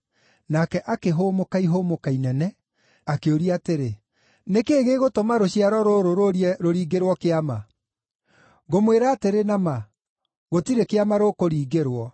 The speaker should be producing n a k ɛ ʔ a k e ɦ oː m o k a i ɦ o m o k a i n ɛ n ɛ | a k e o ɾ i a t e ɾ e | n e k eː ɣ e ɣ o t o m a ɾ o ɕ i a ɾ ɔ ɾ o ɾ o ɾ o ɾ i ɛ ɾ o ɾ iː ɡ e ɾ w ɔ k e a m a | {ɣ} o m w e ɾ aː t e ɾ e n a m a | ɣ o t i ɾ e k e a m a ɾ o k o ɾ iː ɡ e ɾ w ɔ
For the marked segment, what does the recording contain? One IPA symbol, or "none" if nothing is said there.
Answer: ɣ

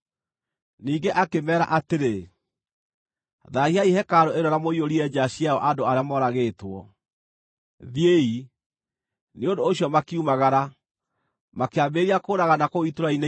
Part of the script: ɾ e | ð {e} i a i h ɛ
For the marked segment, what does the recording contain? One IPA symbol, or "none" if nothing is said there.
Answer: a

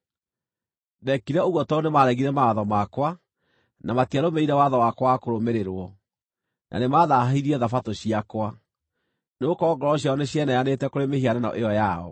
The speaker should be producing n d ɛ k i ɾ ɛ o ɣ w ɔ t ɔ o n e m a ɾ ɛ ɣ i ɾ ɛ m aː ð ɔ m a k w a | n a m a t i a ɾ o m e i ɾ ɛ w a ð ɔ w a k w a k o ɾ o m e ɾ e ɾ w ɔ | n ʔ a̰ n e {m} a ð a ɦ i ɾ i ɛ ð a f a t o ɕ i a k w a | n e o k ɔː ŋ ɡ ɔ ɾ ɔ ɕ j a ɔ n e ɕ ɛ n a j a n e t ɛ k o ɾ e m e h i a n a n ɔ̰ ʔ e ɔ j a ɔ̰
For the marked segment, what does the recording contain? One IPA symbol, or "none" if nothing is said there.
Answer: m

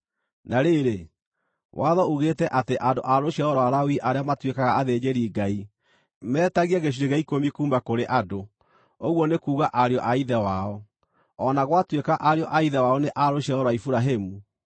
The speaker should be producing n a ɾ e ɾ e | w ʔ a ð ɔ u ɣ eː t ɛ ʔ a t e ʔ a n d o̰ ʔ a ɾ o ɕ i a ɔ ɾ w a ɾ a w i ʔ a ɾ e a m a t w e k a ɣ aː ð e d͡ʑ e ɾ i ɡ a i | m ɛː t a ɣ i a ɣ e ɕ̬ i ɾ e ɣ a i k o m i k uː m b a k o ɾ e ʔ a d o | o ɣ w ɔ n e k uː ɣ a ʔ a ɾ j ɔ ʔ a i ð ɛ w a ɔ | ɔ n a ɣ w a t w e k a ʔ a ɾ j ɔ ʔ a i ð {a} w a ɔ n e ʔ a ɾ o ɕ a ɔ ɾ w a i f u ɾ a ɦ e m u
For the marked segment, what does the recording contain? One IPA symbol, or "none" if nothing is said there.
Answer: ɛ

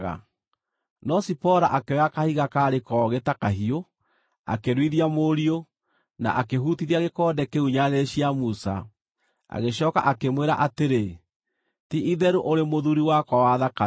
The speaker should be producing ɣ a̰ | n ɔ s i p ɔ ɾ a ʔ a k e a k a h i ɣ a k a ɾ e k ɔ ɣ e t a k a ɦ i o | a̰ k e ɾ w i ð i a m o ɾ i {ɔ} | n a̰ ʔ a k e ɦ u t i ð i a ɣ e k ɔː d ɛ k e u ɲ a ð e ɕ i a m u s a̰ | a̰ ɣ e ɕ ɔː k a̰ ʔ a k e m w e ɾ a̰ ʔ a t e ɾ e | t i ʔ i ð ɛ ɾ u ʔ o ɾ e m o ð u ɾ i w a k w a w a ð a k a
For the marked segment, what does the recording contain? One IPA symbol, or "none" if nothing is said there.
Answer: o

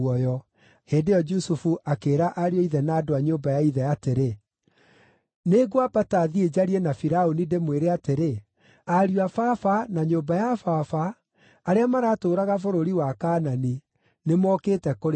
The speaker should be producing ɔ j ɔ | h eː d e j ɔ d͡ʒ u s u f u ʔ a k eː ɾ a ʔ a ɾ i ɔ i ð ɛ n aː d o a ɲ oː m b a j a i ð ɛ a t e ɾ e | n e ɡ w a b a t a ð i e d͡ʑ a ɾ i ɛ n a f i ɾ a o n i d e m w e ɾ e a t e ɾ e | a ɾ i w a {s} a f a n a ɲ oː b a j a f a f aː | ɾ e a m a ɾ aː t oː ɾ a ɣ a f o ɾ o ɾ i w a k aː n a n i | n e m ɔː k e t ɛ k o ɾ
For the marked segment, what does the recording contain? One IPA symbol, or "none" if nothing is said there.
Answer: f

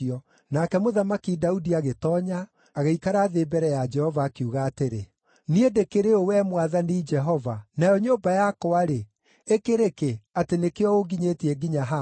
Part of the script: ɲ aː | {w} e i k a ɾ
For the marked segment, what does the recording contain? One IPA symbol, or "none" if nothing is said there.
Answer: ɣ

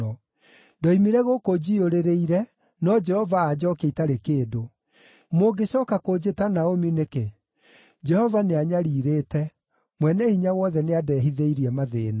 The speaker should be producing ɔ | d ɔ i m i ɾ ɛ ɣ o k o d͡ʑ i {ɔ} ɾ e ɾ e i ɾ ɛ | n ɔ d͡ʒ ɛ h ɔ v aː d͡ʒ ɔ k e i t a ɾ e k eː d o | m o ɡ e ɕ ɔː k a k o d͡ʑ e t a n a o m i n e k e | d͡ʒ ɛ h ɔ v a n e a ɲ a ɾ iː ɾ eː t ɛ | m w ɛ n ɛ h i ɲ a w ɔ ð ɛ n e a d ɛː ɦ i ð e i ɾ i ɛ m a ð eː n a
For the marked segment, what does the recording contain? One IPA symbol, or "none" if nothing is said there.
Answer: o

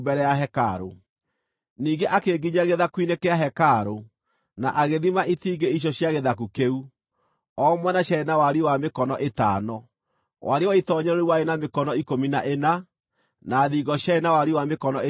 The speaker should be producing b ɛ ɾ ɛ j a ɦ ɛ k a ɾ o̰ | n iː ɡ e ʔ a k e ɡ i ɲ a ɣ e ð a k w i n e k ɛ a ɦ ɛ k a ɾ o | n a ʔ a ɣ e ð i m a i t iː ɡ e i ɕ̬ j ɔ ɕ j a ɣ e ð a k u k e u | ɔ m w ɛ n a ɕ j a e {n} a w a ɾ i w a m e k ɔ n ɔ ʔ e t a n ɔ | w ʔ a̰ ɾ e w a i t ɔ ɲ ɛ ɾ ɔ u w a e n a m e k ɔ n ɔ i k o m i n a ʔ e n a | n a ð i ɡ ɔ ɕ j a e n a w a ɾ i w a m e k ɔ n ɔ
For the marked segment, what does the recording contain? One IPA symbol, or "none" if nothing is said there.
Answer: n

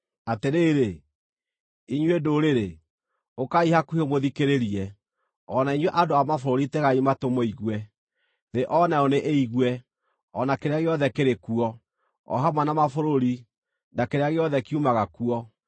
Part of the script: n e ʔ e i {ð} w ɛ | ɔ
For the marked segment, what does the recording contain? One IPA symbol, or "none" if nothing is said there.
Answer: ɣ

